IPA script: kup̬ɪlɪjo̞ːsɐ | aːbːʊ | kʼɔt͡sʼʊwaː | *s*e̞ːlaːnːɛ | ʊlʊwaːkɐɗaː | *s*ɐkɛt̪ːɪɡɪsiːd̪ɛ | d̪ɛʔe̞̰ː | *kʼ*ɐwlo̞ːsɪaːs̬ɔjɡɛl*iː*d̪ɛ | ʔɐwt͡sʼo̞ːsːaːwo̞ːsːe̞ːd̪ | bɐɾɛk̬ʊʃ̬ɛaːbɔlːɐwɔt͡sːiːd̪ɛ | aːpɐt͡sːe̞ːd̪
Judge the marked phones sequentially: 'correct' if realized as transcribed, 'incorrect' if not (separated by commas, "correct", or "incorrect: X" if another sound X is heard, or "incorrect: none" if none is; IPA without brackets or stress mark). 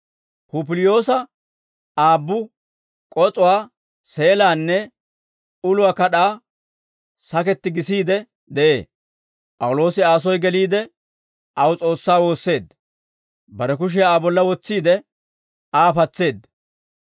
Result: correct, correct, incorrect: pʼ, correct